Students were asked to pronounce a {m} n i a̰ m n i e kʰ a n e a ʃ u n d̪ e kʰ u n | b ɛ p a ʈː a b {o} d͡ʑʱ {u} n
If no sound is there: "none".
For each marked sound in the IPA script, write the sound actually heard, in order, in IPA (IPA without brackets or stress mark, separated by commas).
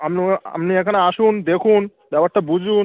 m, u, u